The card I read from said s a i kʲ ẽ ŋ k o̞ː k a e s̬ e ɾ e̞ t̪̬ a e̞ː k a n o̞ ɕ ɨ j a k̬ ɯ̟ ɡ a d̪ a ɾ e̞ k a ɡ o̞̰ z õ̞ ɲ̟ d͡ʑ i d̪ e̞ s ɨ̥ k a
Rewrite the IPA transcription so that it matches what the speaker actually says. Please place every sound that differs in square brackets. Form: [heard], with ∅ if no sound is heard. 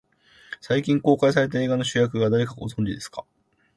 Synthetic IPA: s a i kʲ [ĩ] ŋ k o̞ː k a [i] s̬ [a] ɾ e̞ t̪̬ a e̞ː [ɡ] a n o̞ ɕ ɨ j a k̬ ɯ̟ ɡ a d̪ a ɾ e̞ k a ɡ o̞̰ z õ̞ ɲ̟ d͡ʑ i d̪ e̞ s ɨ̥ k a